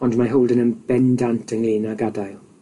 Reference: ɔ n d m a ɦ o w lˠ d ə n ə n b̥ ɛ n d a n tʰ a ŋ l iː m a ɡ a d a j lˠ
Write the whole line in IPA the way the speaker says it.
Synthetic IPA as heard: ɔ n d m a ɦ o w lˠ d ə n ə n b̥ ɛ n d a n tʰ ə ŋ l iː n a ɡ a d a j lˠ